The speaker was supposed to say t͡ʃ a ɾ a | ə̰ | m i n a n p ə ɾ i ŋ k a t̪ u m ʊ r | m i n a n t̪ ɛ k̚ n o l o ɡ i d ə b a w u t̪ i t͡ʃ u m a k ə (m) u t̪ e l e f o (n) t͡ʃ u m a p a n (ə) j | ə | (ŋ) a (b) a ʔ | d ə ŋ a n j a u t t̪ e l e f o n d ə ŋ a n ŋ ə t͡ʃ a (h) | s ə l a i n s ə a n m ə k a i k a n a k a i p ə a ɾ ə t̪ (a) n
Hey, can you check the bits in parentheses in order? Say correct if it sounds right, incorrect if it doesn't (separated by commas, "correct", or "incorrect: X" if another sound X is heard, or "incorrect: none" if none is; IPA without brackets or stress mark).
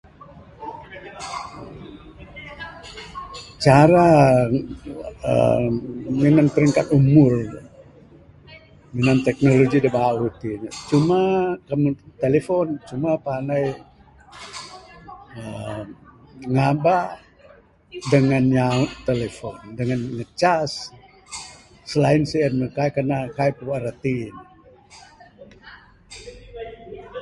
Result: correct, correct, incorrect: a, correct, correct, incorrect: s, incorrect: i